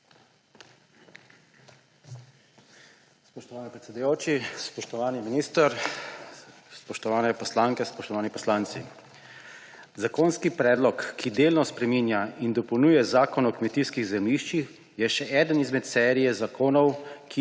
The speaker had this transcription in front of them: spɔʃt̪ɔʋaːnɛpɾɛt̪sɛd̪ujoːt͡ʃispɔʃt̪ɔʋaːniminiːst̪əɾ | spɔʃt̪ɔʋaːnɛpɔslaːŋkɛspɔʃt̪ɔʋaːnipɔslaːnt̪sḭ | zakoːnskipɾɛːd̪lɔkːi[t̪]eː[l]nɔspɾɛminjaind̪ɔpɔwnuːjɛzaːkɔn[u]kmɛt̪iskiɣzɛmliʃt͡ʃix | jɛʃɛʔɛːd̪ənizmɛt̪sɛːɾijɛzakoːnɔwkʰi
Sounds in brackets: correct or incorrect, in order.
incorrect: d̪, correct, incorrect: ɔ

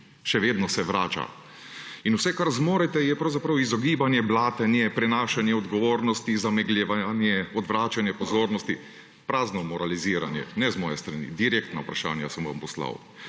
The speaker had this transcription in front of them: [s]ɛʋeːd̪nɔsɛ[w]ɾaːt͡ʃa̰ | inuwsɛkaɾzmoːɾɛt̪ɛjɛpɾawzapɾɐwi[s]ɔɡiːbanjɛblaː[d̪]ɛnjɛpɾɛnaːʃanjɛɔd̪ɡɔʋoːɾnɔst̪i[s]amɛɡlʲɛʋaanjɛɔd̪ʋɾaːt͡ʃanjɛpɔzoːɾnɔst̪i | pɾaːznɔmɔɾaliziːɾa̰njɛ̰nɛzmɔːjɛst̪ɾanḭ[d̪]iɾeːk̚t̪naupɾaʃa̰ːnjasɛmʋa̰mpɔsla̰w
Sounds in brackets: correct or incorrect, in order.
incorrect: ʃ, incorrect: ʋ, incorrect: z, incorrect: t̪, incorrect: z, correct

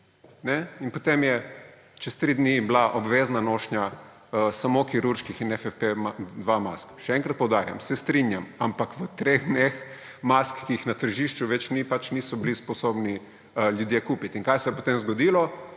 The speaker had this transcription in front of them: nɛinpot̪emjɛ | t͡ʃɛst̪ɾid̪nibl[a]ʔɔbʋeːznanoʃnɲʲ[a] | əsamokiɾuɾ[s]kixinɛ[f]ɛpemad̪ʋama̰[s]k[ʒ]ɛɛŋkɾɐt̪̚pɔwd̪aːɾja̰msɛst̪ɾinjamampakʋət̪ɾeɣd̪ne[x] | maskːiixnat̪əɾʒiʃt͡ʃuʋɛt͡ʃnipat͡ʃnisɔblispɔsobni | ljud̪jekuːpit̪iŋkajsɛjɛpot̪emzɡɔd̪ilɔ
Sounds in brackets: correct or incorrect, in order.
correct, correct, incorrect: ʃ, correct, correct, incorrect: ʃ, correct

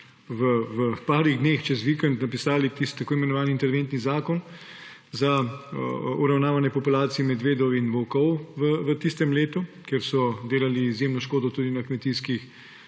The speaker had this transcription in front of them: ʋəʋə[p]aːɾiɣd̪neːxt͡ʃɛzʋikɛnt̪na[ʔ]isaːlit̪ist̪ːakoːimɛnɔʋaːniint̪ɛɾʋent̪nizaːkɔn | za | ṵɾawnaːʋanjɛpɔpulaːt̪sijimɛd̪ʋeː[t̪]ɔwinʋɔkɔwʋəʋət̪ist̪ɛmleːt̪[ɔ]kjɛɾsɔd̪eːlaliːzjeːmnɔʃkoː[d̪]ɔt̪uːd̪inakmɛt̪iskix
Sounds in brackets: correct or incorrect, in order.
correct, incorrect: p, incorrect: d̪, incorrect: u, correct

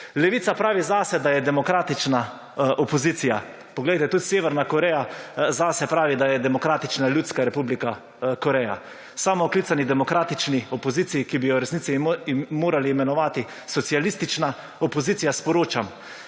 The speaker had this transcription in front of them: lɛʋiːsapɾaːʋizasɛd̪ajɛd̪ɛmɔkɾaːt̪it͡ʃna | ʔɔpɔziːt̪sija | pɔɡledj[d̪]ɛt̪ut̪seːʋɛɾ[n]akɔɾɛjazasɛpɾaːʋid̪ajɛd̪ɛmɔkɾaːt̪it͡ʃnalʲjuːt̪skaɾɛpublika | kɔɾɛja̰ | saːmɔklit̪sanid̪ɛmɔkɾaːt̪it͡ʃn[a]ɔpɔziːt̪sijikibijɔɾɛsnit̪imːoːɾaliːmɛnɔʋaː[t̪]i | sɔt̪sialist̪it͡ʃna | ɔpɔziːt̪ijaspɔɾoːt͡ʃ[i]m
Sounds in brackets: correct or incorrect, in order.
incorrect: t̪, correct, incorrect: i, correct, incorrect: a

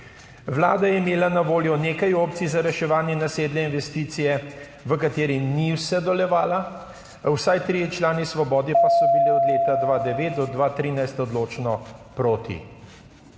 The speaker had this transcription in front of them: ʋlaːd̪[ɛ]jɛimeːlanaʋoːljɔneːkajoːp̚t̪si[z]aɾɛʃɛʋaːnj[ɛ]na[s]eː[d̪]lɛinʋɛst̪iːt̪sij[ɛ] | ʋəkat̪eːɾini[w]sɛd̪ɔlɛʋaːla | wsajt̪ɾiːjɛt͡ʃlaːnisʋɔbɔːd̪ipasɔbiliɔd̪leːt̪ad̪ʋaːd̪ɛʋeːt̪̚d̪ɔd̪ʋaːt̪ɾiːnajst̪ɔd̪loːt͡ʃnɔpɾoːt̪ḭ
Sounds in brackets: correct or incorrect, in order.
incorrect: a, correct, correct, correct, correct, correct, correct

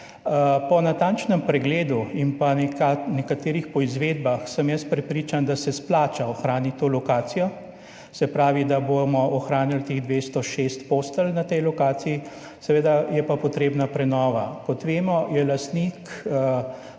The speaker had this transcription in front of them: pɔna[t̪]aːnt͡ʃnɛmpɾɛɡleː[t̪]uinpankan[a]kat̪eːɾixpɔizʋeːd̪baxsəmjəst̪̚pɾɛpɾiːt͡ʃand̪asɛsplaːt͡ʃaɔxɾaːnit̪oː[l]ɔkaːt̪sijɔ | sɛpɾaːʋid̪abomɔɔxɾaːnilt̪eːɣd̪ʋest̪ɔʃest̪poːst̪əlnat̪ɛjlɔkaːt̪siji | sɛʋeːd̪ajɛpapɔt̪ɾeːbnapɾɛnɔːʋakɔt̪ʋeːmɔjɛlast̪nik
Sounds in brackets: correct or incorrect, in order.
correct, incorrect: d̪, incorrect: ɛ, correct

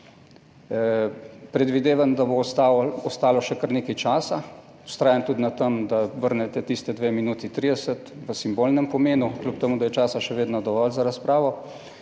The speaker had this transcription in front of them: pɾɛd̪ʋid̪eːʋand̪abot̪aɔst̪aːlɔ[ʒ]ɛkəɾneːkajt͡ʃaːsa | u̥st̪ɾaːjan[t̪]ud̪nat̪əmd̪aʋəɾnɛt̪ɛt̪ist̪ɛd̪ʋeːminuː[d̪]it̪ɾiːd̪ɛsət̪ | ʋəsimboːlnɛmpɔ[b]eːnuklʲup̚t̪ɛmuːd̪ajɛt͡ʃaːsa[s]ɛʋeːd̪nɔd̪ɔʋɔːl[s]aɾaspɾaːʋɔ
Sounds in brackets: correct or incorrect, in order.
incorrect: ʃ, correct, incorrect: t̪, incorrect: m, incorrect: ʃ, incorrect: z

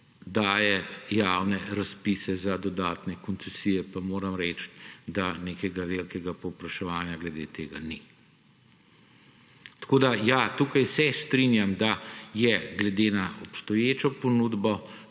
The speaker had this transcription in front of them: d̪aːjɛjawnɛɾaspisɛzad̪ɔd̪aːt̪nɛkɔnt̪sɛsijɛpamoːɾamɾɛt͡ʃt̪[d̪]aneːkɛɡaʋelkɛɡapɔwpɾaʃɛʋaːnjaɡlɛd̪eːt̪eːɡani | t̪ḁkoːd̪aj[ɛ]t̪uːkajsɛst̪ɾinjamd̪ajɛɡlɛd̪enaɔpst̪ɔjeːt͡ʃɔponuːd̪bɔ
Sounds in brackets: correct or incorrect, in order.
correct, incorrect: a

